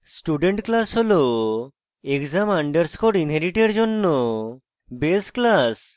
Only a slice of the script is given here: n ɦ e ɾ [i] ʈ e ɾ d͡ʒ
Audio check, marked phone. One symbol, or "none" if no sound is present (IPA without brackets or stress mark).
i